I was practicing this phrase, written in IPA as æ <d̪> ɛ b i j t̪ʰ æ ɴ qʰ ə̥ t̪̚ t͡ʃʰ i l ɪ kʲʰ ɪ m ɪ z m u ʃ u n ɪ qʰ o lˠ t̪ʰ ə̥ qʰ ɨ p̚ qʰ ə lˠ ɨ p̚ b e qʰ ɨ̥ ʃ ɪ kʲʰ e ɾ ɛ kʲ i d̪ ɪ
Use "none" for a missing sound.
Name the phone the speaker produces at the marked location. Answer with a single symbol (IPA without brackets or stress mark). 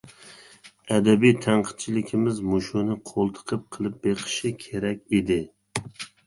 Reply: d̪